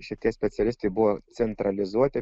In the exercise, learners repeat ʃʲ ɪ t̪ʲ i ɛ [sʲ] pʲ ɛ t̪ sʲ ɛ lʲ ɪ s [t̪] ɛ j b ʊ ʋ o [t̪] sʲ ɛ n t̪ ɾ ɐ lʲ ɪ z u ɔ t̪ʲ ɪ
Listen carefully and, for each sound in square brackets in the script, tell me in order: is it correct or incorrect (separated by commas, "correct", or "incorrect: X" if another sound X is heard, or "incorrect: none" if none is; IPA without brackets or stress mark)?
correct, correct, correct